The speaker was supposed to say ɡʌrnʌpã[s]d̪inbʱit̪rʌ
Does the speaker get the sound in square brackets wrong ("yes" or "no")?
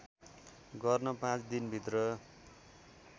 yes